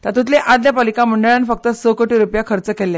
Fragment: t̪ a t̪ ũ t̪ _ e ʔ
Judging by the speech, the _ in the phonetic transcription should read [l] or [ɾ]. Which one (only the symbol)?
l